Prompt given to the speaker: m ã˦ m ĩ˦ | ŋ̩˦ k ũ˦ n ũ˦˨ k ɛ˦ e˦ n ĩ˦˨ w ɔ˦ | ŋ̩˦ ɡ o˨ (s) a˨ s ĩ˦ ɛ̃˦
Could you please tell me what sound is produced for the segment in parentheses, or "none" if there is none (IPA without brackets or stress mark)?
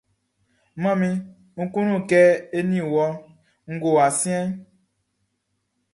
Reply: none